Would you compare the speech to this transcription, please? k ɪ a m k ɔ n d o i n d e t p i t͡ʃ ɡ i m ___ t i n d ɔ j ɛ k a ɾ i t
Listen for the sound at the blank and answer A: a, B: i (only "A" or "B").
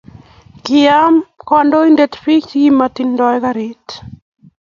A